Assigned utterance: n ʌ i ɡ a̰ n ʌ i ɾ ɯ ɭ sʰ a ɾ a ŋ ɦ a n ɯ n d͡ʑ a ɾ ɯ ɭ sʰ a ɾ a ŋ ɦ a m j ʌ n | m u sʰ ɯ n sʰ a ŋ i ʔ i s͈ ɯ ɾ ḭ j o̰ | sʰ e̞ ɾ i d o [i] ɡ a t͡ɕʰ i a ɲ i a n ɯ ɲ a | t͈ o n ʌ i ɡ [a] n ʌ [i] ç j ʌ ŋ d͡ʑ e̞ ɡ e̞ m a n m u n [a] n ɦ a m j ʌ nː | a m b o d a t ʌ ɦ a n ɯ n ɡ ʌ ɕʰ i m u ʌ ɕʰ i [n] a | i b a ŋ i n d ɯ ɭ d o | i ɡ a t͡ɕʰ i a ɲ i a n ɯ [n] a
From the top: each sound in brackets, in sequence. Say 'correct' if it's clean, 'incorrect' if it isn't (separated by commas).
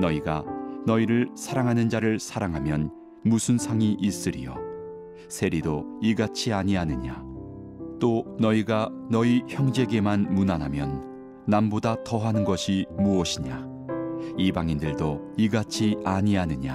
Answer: correct, correct, correct, correct, incorrect, incorrect